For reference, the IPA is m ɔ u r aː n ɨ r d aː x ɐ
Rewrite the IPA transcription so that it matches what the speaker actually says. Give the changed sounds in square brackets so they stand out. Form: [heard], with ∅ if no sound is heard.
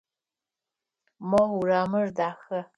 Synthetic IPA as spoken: m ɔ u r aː [m] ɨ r d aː x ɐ